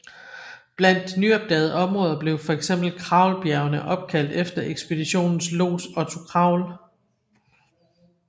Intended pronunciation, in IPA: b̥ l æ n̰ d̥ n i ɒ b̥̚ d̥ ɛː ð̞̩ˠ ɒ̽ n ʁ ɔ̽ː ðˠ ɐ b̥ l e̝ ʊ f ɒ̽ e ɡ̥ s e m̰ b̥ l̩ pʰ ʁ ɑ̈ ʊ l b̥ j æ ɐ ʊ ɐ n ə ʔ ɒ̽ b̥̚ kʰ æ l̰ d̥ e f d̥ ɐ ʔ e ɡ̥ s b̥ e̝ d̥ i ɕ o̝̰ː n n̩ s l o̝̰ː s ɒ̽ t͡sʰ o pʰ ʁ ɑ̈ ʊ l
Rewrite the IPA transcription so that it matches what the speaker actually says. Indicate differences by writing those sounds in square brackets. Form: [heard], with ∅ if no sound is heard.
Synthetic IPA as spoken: b̥ l æ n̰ d̥ n [y] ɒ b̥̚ d̥ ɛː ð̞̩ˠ ɒ̽ [m] ʁ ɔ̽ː ðˠ ɐ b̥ l e̝ ʊ f ɒ̽ e ɡ̥ s e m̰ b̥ l̩ [kʰ] ʁ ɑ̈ ʊ l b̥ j æ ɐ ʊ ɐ n ə ʔ ɒ̽ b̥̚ kʰ æ l̰ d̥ e f d̥ ɐ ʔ e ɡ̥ s b̥ e̝ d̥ i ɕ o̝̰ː n n̩ s l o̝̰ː s ɒ̽ t͡sʰ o [kʰ] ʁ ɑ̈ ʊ l